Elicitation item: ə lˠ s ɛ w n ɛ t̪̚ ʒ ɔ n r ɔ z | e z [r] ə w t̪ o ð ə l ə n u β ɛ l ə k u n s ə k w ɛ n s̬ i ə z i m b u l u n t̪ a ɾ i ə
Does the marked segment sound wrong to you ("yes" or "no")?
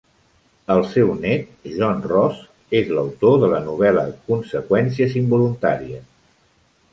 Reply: yes